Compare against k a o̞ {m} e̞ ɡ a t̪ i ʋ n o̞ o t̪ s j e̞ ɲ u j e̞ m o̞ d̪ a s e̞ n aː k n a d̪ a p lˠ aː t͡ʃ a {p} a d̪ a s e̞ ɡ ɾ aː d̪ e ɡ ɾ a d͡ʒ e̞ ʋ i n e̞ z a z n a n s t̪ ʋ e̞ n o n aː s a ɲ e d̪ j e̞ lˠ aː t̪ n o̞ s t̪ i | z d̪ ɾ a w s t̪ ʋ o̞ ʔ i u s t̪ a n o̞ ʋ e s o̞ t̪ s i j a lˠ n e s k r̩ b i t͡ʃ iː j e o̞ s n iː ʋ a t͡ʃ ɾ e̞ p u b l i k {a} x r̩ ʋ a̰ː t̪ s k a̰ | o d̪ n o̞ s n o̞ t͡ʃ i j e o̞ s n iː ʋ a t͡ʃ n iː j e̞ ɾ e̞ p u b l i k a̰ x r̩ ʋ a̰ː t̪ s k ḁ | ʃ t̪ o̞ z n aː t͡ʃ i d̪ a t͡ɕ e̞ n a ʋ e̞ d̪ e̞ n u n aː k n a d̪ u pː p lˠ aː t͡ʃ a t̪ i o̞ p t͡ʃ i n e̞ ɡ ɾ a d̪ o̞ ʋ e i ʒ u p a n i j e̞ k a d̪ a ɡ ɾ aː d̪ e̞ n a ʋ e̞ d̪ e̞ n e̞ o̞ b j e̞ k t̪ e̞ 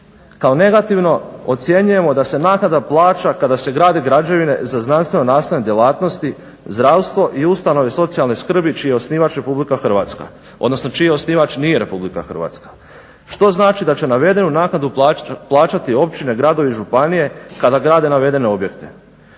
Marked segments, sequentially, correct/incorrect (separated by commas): incorrect, incorrect, correct